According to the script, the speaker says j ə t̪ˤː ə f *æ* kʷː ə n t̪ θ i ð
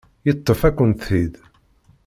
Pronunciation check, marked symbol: correct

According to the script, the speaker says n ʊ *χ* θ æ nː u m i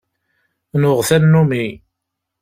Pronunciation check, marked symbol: incorrect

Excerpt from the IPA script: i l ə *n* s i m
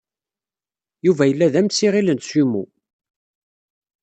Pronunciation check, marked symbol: correct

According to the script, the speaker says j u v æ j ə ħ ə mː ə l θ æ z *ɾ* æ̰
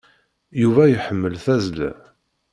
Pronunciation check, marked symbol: incorrect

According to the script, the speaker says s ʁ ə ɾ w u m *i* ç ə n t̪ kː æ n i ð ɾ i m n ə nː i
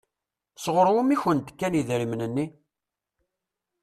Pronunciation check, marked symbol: correct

